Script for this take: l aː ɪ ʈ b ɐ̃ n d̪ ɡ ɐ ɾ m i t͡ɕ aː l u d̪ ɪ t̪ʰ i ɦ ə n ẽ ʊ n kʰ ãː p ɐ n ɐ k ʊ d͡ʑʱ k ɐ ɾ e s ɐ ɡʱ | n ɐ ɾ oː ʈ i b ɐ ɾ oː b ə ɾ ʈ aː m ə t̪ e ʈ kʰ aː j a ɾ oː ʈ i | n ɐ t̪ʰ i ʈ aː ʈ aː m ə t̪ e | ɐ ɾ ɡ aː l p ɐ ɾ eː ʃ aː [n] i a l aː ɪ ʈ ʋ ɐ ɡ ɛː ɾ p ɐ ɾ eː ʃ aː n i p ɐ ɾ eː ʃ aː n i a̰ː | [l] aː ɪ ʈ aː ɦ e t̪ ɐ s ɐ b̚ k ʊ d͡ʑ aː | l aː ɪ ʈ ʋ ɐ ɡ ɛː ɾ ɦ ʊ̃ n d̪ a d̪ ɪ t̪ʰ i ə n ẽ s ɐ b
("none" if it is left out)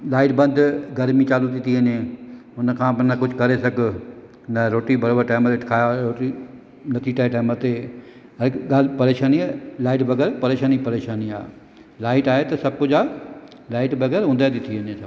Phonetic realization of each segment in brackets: n, l

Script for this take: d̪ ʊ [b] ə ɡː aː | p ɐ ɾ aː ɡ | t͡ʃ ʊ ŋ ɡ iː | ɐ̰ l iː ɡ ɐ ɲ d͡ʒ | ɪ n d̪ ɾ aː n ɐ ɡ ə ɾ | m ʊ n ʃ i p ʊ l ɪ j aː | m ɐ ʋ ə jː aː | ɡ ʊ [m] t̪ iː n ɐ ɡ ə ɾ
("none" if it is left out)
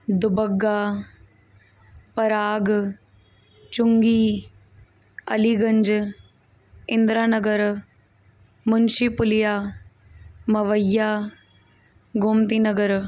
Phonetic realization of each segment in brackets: b, m

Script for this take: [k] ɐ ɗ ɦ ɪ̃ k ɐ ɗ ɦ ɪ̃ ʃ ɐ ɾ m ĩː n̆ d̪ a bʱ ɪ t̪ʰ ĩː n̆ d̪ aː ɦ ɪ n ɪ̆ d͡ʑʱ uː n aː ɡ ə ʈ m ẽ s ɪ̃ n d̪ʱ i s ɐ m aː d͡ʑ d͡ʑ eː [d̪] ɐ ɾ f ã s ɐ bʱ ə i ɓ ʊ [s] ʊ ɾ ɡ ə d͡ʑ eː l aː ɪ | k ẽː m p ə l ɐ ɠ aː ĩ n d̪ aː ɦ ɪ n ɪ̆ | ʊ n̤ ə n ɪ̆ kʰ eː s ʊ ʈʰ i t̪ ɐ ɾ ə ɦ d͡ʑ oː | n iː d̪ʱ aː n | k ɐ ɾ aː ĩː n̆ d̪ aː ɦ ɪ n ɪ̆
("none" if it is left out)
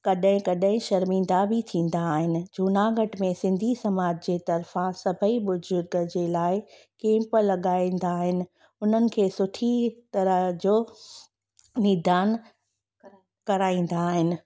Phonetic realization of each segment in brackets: k, t̪, z

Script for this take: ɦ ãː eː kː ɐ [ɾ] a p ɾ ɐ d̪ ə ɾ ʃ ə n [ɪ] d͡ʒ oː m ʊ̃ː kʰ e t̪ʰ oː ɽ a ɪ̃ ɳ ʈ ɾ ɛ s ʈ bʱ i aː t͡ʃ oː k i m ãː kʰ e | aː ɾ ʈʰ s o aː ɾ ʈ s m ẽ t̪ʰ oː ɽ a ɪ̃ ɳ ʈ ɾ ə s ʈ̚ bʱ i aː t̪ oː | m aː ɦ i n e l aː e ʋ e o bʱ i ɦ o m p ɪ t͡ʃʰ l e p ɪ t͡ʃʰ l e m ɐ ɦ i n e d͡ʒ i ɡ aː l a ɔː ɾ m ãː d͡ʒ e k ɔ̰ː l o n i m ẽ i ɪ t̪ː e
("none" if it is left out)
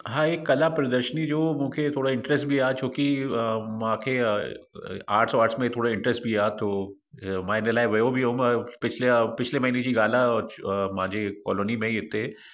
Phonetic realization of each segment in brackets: l, i

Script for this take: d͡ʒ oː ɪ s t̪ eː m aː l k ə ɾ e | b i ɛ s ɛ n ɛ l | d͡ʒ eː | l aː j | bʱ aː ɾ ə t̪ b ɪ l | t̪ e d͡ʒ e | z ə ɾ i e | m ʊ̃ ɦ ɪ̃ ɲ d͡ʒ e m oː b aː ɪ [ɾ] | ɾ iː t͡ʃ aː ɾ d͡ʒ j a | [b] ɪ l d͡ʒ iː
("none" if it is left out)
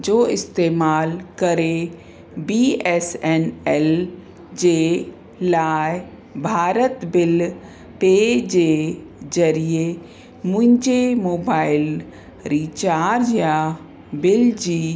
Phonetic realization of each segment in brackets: l, b

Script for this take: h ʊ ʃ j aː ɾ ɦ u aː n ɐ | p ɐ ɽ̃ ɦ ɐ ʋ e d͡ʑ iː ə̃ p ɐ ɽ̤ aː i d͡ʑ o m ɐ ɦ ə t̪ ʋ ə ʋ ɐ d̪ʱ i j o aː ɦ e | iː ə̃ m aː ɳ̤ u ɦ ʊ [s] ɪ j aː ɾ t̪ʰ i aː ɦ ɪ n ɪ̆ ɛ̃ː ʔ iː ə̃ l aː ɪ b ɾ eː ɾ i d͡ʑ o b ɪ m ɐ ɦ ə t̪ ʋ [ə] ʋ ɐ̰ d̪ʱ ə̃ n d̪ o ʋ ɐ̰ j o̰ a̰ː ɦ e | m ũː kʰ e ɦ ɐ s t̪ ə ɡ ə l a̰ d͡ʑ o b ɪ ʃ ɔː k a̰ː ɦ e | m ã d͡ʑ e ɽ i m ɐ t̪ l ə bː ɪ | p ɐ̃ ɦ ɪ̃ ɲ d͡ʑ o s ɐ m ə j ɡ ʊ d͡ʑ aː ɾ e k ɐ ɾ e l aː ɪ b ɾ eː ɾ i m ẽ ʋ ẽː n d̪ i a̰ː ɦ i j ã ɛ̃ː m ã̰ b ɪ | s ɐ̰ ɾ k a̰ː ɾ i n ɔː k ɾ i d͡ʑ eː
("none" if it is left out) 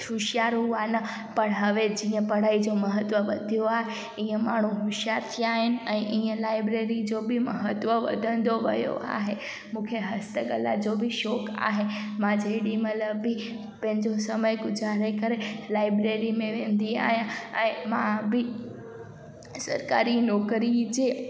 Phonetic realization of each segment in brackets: ʃ, ə

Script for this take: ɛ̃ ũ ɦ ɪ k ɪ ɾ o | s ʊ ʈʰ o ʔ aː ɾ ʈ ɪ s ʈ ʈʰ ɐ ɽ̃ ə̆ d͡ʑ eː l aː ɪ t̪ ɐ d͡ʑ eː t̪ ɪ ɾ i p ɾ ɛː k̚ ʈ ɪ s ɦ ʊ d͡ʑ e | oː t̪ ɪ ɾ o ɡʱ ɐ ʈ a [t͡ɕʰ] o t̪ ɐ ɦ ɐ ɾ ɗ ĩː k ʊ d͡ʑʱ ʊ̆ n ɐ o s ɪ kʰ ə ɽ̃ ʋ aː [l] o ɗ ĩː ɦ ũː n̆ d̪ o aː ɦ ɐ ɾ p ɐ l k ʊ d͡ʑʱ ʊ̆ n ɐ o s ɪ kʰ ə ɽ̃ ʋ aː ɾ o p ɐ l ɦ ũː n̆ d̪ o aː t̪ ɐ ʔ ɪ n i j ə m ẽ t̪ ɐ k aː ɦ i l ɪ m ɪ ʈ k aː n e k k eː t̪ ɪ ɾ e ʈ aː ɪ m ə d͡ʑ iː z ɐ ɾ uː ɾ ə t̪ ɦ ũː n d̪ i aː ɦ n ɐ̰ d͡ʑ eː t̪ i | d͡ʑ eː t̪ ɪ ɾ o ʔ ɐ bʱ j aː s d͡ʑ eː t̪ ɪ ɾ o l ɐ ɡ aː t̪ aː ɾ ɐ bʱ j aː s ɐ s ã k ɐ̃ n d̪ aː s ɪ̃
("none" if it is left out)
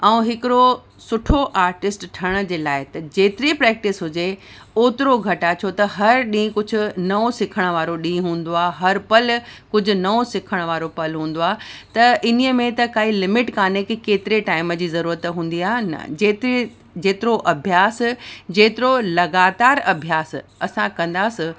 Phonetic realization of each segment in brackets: t͡ɕʰ, ɾ

